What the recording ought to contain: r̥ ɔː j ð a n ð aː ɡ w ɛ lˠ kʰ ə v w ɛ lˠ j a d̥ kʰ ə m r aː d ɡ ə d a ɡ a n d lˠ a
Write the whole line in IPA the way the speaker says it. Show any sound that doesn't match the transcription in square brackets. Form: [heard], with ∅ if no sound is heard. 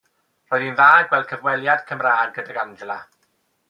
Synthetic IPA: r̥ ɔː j ð [i] n ð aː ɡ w ɛ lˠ kʰ ə v w ɛ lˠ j a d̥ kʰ ə m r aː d ɡ ə d a ɡ a n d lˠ a

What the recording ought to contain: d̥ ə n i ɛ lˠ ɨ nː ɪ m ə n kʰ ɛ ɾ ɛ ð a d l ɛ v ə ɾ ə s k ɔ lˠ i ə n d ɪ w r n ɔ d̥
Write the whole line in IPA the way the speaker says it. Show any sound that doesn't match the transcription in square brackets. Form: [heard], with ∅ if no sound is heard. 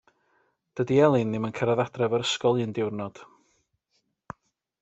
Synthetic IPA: d̥ ə [d] i ɛ lˠ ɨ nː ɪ m ə n kʰ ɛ ɾ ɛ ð a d [r] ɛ v ə ɾ ə s k ɔ lˠ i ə n d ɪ w r n ɔ d̥

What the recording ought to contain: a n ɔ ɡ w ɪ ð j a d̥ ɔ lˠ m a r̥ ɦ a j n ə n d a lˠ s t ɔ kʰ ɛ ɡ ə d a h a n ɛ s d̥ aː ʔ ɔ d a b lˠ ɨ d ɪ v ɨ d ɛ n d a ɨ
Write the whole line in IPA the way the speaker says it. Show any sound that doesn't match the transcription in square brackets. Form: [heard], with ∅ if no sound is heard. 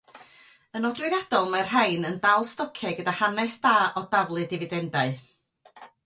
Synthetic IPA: [ə] n ɔ [d] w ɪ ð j a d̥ ɔ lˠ m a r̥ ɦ a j n ə n d a lˠ s t ɔ kʰ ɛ ɡ ə d a h a n ɛ s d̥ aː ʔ ɔ d a [v] lˠ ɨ d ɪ v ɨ d ɛ n d a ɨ

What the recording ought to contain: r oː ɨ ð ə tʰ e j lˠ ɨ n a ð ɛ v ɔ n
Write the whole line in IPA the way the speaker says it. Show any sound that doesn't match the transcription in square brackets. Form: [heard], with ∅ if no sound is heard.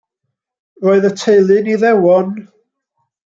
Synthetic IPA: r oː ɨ ð ə tʰ e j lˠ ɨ n [i] ð ɛ [w] ɔ n

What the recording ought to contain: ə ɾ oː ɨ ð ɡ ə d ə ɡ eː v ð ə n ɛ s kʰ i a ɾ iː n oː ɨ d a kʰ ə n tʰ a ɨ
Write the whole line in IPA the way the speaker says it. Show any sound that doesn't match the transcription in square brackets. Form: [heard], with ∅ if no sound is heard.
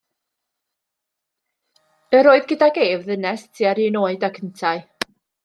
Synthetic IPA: ə ɾ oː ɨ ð ɡ ə d [a] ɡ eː v ð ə n ɛ s [tʰ] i a ɾ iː n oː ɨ d a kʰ ə n tʰ a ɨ

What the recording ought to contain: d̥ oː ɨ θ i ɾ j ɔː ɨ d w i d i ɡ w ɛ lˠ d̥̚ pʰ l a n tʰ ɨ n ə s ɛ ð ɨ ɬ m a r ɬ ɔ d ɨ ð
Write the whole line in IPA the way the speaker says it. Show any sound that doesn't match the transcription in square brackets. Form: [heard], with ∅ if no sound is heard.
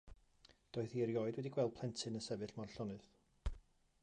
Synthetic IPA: d̥ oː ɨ θ i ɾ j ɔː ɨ d w [ɛ] d i ɡ w ɛ lˠ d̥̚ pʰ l [ɛ] n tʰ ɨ n ə s ɛ [v] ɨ ɬ m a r ɬ ɔ [n] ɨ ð

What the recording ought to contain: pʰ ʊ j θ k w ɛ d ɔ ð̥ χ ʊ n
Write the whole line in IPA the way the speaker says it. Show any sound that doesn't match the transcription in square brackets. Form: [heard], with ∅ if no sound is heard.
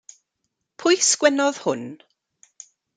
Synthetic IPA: pʰ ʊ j [s] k w ɛ [n] ɔ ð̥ [h] ʊ n

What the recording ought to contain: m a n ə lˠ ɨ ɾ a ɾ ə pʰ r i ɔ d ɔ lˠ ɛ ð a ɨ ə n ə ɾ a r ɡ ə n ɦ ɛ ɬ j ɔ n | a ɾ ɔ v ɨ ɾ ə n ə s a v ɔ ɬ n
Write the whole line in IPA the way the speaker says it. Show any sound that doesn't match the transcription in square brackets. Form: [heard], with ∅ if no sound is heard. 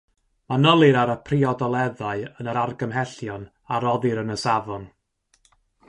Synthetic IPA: m a n ə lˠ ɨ ɾ a ɾ ə pʰ r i ɔ d ɔ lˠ ɛ ð a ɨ ə n ə ɾ a r ɡ ə [m] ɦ ɛ ɬ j ɔ n | a ɾ ɔ [ð] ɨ ɾ ə n ə s a v ɔ [∅] n

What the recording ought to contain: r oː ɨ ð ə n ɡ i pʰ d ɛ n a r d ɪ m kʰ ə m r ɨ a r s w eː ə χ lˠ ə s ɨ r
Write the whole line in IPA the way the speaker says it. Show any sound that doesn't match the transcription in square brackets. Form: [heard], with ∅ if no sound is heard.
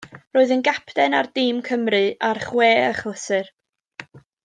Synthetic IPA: r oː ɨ ð ə n ɡ [a] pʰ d ɛ n a r d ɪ m kʰ ə m r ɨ a r [χ] w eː ə χ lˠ ə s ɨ r

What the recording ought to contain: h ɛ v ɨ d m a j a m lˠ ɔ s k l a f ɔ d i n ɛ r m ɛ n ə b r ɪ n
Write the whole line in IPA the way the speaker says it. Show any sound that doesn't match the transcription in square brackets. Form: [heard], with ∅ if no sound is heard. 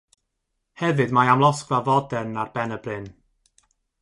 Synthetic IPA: h ɛ v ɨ d m a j a m lˠ ɔ s k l a [v] ɔ d [ɛ] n [a] r [b] ɛ n ə b r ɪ n

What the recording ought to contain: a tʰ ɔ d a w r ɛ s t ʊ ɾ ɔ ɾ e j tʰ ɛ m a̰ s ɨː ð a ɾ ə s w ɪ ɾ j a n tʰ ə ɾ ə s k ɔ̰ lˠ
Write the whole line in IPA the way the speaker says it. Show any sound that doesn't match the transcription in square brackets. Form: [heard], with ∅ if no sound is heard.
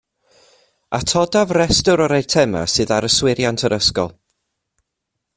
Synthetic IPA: a tʰ ɔ d a [v] r ɛ s t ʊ ɾ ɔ ɾ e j tʰ ɛ m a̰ s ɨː ð a ɾ ə s w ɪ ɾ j a n tʰ ə ɾ ə s k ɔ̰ lˠ

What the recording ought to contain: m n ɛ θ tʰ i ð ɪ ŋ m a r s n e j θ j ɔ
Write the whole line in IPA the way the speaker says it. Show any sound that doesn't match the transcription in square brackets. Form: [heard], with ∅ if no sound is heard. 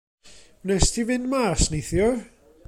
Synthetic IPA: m n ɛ [s] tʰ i [v] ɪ [n] m a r s n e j θ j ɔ

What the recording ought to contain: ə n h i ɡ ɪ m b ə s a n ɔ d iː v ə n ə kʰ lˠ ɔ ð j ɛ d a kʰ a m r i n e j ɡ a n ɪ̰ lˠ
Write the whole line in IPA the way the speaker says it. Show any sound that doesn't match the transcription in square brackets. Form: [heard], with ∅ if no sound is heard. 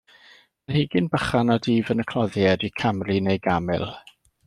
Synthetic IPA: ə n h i ɡ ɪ [n] b ə [χ] a n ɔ d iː v ə n ə kʰ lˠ ɔ ð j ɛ d [i] kʰ a m r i n e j ɡ a [m] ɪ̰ lˠ

